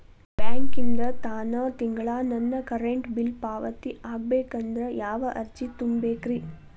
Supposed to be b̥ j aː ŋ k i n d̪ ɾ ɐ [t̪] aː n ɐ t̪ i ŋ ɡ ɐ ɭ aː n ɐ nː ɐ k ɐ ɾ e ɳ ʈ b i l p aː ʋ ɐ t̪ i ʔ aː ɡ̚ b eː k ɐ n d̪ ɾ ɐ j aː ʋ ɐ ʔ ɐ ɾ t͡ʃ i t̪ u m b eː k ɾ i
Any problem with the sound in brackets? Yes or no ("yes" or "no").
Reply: no